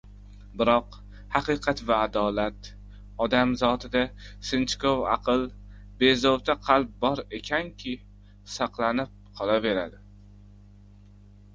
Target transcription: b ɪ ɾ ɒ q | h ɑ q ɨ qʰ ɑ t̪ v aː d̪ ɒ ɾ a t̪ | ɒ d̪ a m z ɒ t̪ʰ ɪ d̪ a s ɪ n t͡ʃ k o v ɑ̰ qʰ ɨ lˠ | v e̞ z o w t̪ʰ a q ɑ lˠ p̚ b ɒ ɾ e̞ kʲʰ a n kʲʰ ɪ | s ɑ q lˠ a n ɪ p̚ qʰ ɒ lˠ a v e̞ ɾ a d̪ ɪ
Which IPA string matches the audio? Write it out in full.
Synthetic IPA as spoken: b ɪ ɾ ɒ q | h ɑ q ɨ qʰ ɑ t̪ v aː d̪ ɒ l a t̪ | ɒ d̪ a m z ɒ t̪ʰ ɪ d̪ a s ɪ n t͡ʃ k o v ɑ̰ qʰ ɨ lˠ | b e̞ z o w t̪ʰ a qʰ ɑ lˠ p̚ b ɒ ɾ e̞ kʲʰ a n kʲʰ ɪ | s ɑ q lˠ a n ɪ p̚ qʰ ɒ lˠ a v e̞ ɾ a d̪ ɪ